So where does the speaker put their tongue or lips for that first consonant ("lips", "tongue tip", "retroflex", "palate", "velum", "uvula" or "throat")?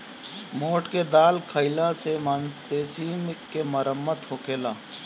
lips